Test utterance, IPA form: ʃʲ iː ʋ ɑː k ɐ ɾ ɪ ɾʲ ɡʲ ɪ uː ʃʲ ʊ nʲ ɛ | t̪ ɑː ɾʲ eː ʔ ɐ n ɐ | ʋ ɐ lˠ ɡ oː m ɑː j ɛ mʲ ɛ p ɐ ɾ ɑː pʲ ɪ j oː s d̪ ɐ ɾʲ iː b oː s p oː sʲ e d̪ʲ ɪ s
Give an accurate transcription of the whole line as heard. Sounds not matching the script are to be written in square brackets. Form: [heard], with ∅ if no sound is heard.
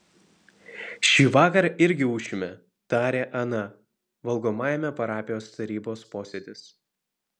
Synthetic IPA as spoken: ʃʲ iː ʋ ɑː k ɐ ɾ ɪ ɾʲ ɡʲ ɪ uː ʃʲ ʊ [mʲ] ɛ | t̪ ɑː ɾʲ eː ʔ ɐ n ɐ | ʋ ɐ lˠ ɡ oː m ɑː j ɛ mʲ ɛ p ɐ ɾ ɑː pʲ ɪ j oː s [t̪] ɐ ɾʲ iː b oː s p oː sʲ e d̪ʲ ɪ s